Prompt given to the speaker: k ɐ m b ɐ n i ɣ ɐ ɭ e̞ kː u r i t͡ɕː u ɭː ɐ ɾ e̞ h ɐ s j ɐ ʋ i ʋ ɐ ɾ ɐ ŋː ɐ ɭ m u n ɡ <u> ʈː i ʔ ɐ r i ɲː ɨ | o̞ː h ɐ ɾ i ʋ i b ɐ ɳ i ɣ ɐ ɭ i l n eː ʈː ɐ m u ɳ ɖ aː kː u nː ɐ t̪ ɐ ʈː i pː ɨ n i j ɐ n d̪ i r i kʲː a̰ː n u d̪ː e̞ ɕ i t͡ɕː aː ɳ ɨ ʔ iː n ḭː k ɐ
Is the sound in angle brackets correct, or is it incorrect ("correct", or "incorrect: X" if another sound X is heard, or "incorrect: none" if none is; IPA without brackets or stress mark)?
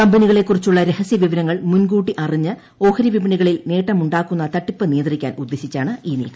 incorrect: uː